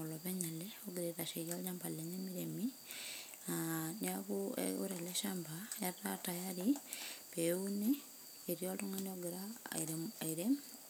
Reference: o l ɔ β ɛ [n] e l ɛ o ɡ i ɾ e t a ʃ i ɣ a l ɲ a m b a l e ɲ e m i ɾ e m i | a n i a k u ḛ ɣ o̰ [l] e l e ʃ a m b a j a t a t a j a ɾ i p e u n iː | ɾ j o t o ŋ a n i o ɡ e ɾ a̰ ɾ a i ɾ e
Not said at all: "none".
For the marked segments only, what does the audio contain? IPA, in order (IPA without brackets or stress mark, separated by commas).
ɲ, ɾ